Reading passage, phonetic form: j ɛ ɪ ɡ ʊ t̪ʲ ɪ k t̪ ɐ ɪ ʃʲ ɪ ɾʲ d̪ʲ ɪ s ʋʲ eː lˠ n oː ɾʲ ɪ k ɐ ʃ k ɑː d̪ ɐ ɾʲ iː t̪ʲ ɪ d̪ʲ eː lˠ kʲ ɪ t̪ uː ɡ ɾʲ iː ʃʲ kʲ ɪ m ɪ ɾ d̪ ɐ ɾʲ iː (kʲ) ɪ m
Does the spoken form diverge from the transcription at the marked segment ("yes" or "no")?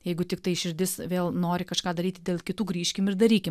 no